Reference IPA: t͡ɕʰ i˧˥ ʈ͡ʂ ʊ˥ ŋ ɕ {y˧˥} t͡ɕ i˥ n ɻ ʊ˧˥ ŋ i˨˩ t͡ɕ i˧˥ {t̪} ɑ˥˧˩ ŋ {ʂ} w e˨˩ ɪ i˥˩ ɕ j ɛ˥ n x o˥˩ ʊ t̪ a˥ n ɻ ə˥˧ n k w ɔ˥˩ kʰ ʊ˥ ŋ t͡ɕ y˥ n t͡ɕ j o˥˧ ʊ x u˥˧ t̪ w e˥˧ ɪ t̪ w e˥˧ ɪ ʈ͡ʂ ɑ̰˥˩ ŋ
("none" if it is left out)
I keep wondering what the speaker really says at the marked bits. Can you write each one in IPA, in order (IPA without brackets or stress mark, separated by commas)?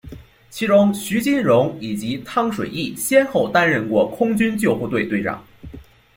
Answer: y˧˥, t̪ʰ, ʂ